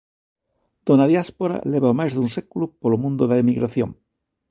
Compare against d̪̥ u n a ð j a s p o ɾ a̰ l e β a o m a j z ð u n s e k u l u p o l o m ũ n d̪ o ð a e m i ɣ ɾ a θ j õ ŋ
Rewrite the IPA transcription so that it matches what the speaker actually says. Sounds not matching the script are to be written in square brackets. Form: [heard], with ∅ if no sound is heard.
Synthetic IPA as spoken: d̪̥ [o] n a ð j a s p o ɾ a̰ l e β a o m a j z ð u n s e k u l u p o l o m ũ n d̪ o ð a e m i ɣ ɾ a θ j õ ŋ